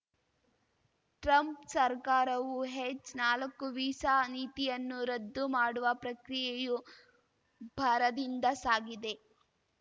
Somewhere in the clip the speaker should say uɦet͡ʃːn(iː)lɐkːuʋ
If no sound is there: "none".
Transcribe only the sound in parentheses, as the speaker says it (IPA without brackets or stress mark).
aː